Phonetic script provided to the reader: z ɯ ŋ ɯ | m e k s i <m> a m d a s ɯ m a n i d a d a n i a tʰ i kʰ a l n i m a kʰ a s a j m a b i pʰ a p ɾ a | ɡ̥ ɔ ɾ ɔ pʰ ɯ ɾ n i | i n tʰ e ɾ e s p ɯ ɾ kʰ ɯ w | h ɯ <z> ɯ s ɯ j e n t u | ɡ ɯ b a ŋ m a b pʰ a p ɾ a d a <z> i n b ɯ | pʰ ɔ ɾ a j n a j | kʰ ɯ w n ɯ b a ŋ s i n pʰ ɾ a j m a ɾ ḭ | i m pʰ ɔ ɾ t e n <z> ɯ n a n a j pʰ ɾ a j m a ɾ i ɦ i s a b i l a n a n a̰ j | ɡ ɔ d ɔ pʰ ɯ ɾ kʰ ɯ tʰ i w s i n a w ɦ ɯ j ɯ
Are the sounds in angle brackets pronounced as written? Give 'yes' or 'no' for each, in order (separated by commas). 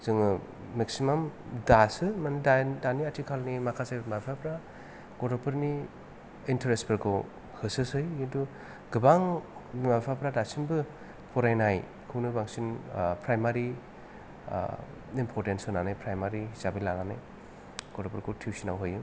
yes, no, no, no